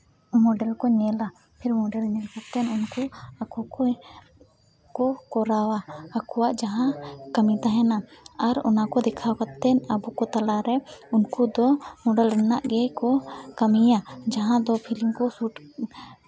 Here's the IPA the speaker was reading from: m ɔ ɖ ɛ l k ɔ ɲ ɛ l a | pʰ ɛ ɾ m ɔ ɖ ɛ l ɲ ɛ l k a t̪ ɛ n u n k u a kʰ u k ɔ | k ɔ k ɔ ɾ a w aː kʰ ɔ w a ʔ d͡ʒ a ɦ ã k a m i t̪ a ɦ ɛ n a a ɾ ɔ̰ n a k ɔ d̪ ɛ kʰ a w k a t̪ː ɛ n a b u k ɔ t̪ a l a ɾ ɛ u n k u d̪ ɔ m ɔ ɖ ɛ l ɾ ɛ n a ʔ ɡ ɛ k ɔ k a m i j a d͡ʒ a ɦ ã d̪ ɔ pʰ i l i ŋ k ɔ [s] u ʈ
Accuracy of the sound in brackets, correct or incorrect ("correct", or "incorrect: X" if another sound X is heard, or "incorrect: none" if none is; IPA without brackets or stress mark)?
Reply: correct